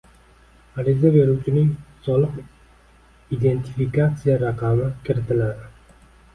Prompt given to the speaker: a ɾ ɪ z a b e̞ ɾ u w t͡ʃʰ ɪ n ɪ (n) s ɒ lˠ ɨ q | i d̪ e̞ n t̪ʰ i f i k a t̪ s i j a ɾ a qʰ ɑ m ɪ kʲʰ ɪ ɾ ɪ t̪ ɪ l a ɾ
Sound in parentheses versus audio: incorrect: ŋ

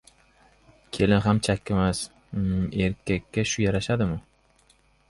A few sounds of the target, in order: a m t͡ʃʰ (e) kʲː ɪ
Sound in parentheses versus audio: incorrect: a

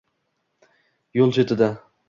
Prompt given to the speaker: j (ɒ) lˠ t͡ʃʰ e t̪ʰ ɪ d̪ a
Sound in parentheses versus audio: incorrect: o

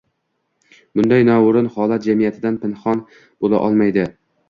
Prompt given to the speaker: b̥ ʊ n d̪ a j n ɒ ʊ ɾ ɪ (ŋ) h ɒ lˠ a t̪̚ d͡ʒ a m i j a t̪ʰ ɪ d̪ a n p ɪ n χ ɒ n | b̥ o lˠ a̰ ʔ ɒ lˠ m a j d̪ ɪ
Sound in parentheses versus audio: incorrect: n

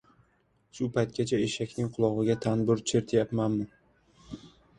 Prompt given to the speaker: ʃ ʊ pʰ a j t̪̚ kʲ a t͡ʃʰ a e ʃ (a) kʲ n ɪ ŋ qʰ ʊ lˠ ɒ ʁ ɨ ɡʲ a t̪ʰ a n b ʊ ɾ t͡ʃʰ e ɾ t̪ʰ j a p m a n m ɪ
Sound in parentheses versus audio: correct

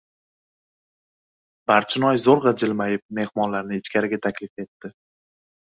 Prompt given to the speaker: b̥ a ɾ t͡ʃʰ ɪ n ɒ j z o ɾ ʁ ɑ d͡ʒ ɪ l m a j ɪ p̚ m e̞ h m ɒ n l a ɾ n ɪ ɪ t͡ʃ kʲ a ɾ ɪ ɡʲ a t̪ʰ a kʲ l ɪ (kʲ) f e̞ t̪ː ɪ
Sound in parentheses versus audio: incorrect: none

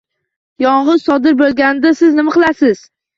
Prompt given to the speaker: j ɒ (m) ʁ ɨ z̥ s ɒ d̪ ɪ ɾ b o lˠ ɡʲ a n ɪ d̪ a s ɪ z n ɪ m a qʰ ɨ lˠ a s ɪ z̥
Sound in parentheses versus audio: incorrect: ɴ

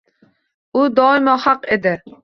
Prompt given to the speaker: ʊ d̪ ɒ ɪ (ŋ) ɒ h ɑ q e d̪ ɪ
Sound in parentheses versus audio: incorrect: m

